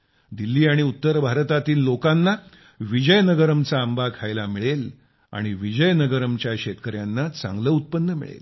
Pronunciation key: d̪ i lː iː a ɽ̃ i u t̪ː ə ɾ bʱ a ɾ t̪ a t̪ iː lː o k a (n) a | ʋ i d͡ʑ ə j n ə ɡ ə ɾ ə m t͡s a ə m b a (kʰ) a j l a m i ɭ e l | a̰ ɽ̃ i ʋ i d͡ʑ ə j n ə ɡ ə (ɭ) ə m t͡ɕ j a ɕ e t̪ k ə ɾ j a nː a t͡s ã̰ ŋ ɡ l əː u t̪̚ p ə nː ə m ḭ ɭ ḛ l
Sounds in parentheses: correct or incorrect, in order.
incorrect: nː, correct, incorrect: ɾ

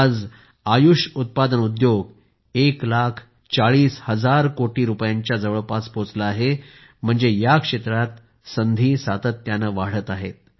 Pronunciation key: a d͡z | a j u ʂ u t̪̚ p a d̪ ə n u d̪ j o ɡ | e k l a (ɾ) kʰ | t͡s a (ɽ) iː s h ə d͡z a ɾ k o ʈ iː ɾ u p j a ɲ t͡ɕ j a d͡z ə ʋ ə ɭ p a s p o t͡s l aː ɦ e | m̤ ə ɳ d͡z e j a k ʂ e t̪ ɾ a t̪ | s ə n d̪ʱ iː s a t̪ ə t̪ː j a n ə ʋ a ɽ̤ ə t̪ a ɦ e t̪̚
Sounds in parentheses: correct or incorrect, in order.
incorrect: none, incorrect: ɭ

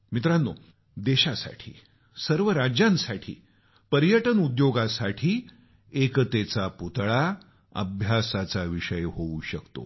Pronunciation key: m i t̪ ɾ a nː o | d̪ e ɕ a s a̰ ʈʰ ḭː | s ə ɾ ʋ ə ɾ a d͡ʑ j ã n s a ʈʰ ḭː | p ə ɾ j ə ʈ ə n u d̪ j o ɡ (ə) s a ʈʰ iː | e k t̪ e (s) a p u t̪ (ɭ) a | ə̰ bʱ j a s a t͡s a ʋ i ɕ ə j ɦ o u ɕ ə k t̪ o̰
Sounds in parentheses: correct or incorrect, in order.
incorrect: a, incorrect: t͡s, correct

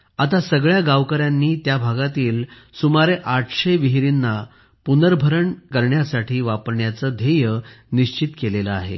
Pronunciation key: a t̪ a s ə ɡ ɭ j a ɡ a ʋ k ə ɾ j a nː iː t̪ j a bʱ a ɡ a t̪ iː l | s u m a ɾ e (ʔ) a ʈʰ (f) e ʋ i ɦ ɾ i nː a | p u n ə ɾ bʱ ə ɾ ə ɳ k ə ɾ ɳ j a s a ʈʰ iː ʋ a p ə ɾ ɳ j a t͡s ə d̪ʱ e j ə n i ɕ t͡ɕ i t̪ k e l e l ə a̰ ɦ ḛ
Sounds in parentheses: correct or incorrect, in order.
correct, incorrect: ɕ

